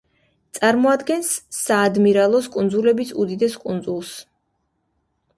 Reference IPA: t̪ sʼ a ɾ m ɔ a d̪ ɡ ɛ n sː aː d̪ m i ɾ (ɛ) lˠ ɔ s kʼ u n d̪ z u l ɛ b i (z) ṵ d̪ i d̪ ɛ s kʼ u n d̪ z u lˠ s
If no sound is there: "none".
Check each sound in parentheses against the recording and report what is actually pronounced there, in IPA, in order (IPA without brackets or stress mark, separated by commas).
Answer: a, s